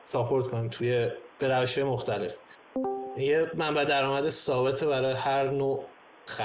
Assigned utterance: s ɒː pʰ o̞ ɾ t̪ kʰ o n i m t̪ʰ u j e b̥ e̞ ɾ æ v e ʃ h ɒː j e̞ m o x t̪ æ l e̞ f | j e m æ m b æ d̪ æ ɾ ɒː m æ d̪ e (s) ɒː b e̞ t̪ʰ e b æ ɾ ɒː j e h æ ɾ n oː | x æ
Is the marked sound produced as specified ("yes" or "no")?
yes